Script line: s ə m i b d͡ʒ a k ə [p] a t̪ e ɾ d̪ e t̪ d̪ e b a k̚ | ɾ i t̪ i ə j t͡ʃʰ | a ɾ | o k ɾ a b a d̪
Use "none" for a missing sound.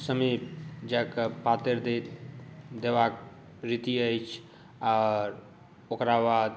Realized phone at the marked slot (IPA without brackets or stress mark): p